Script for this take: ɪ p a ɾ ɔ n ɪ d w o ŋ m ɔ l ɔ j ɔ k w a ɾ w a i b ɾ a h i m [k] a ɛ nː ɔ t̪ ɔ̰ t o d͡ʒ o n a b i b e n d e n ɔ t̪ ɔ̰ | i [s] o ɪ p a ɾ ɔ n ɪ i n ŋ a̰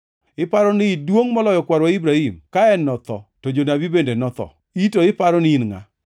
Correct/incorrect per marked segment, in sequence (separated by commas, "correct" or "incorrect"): correct, incorrect